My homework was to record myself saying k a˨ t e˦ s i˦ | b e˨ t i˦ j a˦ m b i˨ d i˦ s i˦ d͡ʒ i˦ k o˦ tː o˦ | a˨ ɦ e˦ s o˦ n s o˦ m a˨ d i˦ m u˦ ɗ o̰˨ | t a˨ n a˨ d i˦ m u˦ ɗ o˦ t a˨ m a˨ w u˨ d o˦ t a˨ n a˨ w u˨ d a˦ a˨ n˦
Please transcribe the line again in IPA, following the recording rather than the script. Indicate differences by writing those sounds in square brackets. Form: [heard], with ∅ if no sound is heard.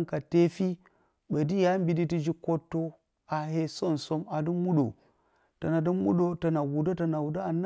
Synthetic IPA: k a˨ t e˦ [f] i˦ | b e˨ [d] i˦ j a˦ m b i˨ d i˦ [t] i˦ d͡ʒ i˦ k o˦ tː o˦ | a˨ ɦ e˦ s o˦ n s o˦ m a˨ d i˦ m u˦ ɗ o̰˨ | t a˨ n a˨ d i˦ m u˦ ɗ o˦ t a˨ [n] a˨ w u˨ d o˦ t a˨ n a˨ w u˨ d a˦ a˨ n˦